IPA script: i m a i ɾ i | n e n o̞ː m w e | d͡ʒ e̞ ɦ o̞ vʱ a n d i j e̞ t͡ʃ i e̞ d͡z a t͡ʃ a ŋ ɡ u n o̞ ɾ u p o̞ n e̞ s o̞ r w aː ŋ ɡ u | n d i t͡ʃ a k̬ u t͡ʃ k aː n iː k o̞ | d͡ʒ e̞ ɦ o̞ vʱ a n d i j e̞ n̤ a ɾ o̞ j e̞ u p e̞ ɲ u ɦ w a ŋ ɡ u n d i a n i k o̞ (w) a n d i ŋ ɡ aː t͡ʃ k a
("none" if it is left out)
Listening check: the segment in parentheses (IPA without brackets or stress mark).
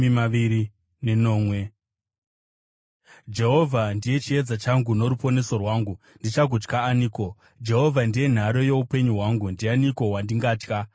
w